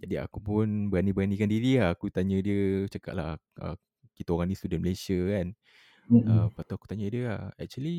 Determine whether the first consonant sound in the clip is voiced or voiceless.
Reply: voiced